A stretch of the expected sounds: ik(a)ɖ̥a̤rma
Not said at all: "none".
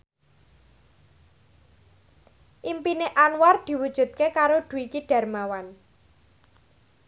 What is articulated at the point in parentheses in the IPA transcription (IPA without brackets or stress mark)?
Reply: i